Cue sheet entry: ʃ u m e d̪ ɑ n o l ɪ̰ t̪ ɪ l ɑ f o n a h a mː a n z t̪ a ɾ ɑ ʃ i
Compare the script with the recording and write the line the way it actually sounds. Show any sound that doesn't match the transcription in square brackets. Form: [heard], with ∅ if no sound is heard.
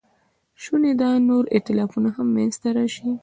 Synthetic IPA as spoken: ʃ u [n] e d̪ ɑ n o [ɾ] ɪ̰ t̪ ɪ l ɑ f [u] n a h a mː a n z t̪ a ɾ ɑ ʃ i